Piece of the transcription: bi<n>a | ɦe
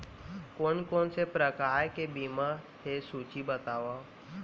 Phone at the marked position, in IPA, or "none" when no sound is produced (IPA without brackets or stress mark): m